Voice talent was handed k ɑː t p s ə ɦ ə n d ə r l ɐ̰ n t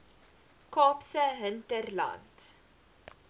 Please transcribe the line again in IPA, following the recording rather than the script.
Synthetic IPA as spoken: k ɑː p s ə ɦ ə n t ə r l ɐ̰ n t

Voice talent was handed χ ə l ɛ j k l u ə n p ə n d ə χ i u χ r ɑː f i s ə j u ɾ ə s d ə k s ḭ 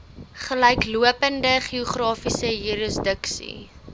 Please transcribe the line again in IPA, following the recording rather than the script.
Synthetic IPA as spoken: χ ə l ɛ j k l u ə p ə n d ə χ i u χ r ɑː f i s ə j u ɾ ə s d ə k s ḭ

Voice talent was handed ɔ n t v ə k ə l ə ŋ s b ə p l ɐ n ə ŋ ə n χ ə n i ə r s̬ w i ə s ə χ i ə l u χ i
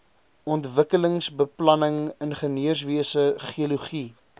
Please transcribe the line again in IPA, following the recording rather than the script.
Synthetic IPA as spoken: ɔ n t v ə k ə l ə ŋ s b ə p l ɐ n ə ŋ ə n χ ə n i ə r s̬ v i ə s ə χ i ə l u χ i

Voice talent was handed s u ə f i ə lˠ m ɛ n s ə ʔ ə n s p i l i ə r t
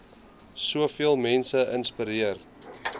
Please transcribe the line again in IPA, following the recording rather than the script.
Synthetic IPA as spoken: s u ə f i ə lˠ m ɛ n s ə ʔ ə n s p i ɾ i ə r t

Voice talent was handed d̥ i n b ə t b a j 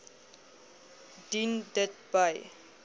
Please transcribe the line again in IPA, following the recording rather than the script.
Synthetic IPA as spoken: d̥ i n d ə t b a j

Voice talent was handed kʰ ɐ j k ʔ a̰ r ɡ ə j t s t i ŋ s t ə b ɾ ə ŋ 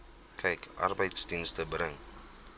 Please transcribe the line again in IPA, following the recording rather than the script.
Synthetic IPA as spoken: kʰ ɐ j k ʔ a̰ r b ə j t s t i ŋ s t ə b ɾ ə ŋ

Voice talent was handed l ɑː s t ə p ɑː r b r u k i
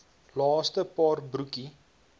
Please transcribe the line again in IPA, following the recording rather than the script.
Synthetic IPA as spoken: l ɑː s t ə p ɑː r b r u k i

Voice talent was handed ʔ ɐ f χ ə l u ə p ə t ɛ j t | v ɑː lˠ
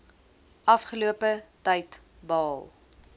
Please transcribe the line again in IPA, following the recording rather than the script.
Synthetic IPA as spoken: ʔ ɐ f χ ə l u ə p ə t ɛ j t | b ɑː lˠ

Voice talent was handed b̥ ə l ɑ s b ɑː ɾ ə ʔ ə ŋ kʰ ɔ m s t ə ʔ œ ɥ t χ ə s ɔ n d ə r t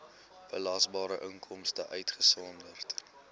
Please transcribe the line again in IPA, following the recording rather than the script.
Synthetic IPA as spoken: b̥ ə l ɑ s b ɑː ɾ ə ʔ ə ŋ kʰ ɔ m s t ə ʔ œ ɥ t χ ə s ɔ n d ə r t

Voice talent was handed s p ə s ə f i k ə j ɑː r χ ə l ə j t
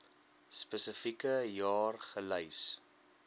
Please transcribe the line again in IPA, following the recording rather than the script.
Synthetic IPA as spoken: s p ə s ə f i k ə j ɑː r χ ə l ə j s

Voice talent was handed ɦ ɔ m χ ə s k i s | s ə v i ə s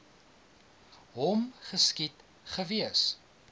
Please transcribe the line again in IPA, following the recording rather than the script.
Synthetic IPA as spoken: ɦ ɔ m χ ə s k i t | χ ə v i ə s

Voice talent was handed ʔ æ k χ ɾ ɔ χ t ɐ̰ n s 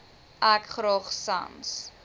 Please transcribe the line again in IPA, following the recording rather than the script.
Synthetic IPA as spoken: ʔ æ k χ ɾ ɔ χ s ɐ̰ n s

